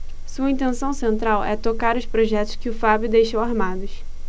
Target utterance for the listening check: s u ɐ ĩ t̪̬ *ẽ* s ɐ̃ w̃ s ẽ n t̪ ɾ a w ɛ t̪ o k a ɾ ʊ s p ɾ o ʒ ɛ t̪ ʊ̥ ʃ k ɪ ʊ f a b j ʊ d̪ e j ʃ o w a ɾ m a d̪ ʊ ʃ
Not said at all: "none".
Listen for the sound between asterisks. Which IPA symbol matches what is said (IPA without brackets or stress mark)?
ẽ